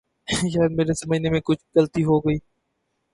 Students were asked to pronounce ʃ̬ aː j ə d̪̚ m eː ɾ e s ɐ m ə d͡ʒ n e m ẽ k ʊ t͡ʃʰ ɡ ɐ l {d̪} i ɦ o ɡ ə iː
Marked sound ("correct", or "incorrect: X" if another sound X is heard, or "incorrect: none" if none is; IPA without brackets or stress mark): incorrect: t̪